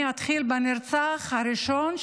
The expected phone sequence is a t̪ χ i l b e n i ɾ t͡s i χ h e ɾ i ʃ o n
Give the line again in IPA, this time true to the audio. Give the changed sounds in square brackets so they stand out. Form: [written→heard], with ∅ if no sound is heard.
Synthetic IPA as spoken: a t̪ χ i l b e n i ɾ t͡s [i→a] χ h [e→a] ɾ i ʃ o n